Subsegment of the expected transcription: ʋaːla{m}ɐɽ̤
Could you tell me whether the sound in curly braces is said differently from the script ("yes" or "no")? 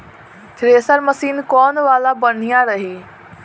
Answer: yes